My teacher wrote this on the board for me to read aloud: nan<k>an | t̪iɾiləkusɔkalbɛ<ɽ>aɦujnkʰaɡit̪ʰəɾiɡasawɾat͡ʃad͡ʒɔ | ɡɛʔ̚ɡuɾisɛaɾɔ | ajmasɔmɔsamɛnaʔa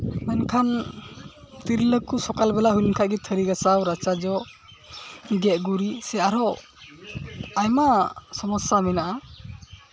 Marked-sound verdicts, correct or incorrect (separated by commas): incorrect, incorrect